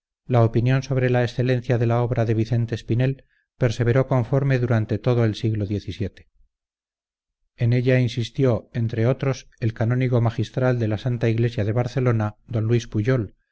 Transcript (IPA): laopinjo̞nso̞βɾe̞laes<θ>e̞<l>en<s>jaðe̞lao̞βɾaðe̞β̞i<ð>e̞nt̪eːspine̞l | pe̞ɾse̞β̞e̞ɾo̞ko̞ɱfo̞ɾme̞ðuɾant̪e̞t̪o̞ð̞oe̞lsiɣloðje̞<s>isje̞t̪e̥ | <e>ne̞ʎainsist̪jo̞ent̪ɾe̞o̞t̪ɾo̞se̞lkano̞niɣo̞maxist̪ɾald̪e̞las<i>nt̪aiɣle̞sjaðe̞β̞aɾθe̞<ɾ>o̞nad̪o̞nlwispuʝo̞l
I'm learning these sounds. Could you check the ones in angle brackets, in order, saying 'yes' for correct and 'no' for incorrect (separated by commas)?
yes, yes, no, no, no, yes, no, no